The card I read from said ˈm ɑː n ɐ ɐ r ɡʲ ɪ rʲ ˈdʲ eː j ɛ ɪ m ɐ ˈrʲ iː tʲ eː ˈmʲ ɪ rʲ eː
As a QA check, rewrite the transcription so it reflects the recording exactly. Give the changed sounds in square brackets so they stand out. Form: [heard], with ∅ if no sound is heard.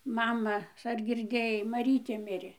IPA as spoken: ˈm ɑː [m] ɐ ɐ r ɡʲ ɪ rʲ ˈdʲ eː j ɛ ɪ m ɐ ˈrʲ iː tʲ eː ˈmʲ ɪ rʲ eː